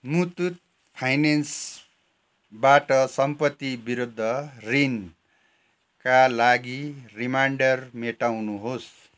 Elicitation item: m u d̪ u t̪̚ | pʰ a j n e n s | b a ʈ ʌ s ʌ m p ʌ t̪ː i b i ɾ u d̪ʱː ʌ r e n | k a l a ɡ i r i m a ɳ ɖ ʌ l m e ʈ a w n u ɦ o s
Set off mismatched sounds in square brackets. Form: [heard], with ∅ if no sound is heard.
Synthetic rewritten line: m u [t̪] u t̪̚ | pʰ a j n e n s | b a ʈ ʌ s ʌ m p ʌ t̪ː i b i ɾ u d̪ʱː ʌ r [i] n | k a l a ɡ i r i m a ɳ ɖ ʌ [r] m e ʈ a w n u ɦ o s